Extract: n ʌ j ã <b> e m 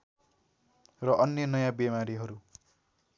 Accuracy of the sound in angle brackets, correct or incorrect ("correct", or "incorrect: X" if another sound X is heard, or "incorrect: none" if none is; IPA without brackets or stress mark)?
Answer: correct